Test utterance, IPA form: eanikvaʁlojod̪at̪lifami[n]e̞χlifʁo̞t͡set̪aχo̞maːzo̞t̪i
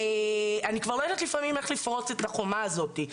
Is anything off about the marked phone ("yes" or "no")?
yes